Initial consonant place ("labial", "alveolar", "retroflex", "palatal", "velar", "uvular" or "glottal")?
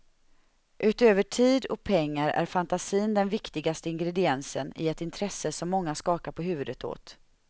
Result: glottal